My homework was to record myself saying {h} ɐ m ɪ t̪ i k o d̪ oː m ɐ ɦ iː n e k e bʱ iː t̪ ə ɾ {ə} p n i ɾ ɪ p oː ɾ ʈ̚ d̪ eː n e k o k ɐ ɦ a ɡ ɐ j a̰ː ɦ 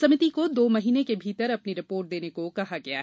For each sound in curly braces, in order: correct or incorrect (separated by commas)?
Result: incorrect, incorrect